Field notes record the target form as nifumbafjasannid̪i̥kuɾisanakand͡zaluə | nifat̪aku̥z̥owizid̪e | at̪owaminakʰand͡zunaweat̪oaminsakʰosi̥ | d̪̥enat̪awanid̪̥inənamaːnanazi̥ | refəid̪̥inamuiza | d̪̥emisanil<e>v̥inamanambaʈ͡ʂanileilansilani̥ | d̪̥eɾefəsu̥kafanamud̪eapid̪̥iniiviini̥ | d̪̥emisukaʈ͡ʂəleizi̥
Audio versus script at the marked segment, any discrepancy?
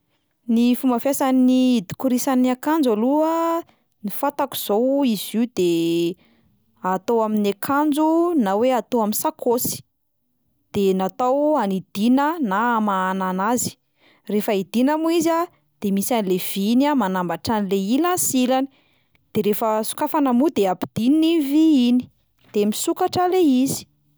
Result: no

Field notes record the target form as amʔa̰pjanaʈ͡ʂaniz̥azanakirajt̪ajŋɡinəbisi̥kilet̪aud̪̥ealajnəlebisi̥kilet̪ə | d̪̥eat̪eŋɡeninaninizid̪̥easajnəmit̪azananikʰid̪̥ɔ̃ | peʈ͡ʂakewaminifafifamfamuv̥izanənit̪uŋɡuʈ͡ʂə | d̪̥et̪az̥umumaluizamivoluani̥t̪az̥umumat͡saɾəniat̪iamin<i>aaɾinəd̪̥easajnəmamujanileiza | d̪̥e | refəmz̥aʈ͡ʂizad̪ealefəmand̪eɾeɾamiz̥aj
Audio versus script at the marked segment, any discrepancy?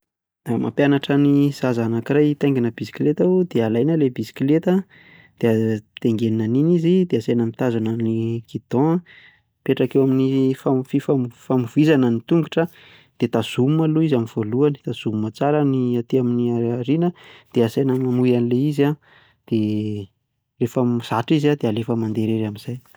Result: no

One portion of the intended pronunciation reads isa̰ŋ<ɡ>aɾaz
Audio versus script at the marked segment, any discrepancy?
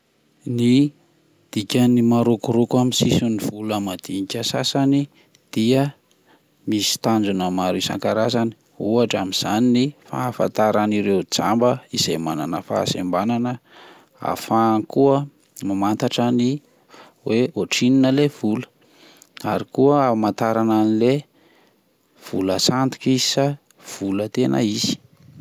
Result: yes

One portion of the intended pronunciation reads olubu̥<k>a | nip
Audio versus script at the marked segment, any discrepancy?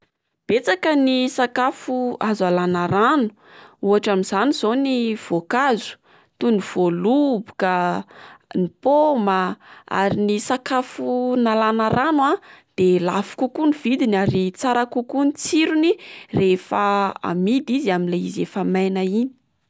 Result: no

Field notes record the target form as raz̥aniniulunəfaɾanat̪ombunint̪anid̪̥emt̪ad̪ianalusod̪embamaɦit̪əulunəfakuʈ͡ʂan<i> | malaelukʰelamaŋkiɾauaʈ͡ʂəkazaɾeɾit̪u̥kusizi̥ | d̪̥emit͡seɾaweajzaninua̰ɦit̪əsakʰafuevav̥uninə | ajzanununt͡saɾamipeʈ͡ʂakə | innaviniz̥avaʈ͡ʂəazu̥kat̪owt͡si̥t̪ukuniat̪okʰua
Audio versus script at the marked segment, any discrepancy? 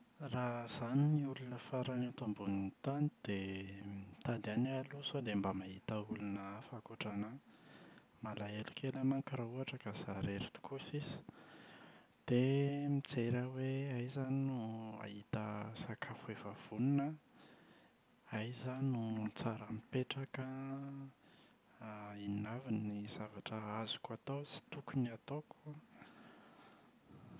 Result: yes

